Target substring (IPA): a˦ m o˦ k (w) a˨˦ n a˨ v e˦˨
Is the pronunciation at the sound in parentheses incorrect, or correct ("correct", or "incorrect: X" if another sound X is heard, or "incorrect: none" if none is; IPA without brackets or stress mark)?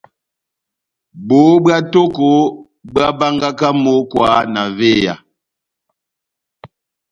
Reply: correct